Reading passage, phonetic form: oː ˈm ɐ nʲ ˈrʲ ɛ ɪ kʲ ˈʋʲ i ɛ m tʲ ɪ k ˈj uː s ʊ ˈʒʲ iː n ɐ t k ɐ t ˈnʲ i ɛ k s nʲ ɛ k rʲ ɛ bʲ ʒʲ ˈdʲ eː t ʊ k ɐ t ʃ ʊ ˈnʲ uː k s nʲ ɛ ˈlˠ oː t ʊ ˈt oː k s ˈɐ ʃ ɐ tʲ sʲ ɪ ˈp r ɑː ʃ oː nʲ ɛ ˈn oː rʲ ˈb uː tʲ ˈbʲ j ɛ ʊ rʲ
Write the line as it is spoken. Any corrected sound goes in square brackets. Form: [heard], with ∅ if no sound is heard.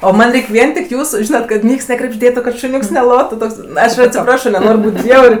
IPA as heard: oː ˈm ɐ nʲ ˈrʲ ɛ ɪ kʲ ˈʋʲ i ɛ [n] tʲ ɪ k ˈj uː s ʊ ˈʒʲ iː n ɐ t k ɐ t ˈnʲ i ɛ k s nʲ ɛ k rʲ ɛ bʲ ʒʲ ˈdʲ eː t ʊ k ɐ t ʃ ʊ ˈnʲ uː k s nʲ ɛ ˈlˠ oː t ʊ ˈt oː k s ˈɐ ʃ ɐ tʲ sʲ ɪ ˈp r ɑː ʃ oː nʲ ɛ ˈn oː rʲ ˈb uː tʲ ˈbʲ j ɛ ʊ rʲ

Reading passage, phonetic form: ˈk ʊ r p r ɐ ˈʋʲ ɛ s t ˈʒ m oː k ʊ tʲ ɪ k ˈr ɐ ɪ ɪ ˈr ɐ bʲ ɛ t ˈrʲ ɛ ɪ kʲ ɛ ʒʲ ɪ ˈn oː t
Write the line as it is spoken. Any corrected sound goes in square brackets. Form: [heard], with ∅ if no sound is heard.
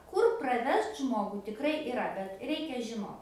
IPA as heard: ˈk ʊ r p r ɐ ˈʋʲ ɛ s t ˈʒ m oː [ɡ] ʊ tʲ ɪ k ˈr ɐ ɪ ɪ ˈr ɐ bʲ ɛ t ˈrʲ ɛ ɪ kʲ ɛ ʒʲ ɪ ˈn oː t

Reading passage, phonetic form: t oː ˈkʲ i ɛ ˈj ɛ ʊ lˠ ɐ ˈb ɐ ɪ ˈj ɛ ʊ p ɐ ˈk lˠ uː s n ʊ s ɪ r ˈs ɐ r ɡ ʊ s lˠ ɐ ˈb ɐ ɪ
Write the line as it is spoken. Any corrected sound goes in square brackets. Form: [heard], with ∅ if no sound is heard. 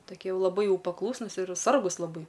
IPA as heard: t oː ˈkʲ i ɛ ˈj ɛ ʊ lˠ ɐ ˈb ɐ ɪ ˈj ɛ ʊ p ɐ ˈk lˠ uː s n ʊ s ɪ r ˈs ɐ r ɡ ʊ s lˠ ɐ ˈb ɐ ɪ

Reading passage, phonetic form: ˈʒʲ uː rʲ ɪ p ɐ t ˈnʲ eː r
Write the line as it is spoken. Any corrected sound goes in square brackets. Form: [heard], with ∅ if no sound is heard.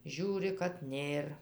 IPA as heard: ˈʒʲ uː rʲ ɪ [k] ɐ t ˈnʲ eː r

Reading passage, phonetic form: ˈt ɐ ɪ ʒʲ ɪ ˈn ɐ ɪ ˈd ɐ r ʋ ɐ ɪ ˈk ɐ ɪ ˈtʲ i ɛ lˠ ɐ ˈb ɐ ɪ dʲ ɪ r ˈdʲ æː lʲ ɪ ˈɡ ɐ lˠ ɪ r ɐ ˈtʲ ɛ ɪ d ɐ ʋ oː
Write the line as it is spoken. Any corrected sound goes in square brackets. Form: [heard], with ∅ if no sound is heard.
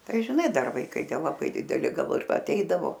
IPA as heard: ˈt ɐ ɪ ʒʲ ɪ ˈn ɐ ɪ ˈd ɐ r ʋ ɐ ɪ ˈk ɐ ɪ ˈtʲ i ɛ lˠ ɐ ˈb ɐ ɪ dʲ ɪ [∅] ˈdʲ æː lʲ ɪ ˈɡ ɐ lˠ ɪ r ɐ ˈtʲ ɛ ɪ d ɐ ʋ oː

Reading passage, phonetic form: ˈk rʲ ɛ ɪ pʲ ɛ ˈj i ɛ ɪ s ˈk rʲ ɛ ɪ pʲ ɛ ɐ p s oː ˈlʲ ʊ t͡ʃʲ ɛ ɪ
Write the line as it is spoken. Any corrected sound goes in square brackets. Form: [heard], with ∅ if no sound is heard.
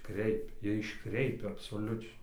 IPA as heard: ˈk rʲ ɛ ɪ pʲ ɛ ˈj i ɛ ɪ [ʃ] ˈk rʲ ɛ ɪ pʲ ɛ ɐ p s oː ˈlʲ ʊ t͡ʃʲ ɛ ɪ

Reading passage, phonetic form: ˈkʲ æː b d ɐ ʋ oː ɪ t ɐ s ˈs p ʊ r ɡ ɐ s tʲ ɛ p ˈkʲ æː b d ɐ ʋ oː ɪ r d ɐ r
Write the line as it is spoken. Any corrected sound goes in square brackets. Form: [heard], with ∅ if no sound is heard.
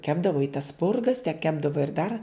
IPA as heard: ˈkʲ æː b d ɐ ʋ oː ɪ t ɐ s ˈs p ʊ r ɡ ɐ s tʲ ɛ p ˈkʲ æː b d ɐ ʋ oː ɪ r d ɐ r

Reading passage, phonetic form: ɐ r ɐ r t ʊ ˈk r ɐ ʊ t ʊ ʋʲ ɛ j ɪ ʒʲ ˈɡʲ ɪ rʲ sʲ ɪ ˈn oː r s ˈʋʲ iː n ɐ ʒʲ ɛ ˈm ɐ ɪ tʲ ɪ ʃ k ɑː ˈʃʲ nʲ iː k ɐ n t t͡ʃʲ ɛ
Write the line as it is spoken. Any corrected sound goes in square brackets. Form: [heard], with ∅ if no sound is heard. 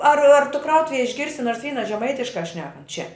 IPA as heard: ɐ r ɐ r t ʊ ˈk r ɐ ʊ t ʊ ʋʲ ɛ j ɪ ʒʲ ˈɡʲ ɪ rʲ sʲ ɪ ˈn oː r s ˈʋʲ iː n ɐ ʒʲ ɛ ˈm ɐ ɪ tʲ ɪ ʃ k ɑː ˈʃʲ nʲ [æː] k ɐ n t t͡ʃʲ ɛ

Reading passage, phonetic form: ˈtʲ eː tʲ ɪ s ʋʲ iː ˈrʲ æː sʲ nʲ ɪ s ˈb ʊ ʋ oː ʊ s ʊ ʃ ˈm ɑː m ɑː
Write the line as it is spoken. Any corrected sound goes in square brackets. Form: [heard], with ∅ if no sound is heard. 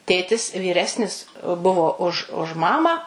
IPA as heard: ˈtʲ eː tʲ ɪ s ʋʲ iː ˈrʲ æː sʲ nʲ ɪ s ˈb ʊ ʋ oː ʊ [ʃ] ʊ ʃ ˈm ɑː m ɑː

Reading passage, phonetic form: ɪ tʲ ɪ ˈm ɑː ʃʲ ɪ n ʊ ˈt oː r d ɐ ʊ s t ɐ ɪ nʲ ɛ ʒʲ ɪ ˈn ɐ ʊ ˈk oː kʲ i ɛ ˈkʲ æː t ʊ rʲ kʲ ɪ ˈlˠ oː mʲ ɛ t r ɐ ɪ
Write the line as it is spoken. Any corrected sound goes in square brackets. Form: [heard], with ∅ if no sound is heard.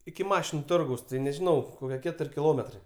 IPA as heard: ɪ [kʲ] ɪ ˈm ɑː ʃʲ ɪ n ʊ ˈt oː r [ɡ] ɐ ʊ s t ɐ ɪ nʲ ɛ ʒʲ ɪ ˈn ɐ ʊ ˈk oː kʲ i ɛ ˈkʲ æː t ʊ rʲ kʲ ɪ ˈlˠ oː mʲ ɛ t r ɐ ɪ

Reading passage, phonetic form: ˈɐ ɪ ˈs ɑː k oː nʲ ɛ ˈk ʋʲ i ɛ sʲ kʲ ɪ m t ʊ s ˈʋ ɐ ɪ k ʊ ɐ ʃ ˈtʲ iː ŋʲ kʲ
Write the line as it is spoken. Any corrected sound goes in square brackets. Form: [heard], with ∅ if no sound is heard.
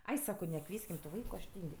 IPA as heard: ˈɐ ɪ ˈs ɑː k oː nʲ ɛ ˈk ʋʲ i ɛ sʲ kʲ ɪ m t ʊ [∅] ˈʋ ɐ ɪ k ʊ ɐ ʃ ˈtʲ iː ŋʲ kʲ

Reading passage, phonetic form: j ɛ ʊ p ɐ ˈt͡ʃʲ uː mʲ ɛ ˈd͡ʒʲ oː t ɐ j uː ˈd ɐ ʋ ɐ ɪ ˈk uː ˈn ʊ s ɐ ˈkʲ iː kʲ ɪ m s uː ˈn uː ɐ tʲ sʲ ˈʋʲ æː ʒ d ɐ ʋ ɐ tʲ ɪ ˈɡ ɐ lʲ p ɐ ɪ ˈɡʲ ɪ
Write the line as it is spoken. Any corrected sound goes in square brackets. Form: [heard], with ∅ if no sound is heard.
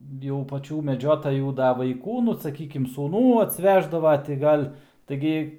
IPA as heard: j ɛ ʊ p ɐ ˈt͡ʃʲ uː mʲ ɛ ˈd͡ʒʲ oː t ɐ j uː ˈd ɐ ʋ ɐ ɪ ˈk uː ˈn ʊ s ɐ ˈkʲ iː kʲ ɪ m s uː ˈn uː ɐ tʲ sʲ ˈʋʲ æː ʒ d ɐ ʋ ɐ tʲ ɪ ˈɡ ɐ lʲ [t] ɐ ɪ ˈɡʲ ɪ

